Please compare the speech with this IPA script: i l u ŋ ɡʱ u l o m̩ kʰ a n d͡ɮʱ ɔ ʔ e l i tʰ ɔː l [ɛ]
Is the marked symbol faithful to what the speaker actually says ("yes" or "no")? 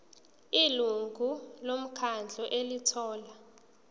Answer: no